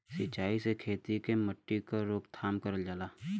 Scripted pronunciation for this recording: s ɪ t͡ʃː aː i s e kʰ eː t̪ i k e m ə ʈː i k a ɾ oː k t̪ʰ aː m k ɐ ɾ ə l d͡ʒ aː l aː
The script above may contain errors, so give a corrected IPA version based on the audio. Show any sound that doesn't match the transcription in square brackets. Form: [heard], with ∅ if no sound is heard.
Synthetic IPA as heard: s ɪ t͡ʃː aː i s e kʰ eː t̪ i k e m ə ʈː i k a ɾ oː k t̪ʰ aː m k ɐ ɾ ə l d͡ʒ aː l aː